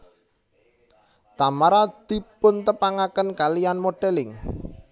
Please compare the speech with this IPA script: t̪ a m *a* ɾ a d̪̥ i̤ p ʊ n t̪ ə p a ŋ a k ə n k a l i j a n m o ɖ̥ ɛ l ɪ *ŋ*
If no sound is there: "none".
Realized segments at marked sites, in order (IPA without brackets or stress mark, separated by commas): a, ŋ